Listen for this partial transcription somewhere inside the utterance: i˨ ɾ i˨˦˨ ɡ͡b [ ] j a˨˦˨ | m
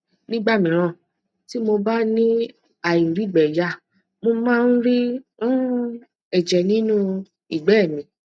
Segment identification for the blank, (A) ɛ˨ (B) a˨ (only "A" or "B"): A